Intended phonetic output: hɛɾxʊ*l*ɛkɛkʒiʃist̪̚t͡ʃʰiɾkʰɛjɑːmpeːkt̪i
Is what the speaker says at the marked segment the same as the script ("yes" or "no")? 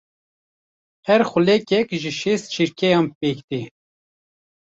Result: yes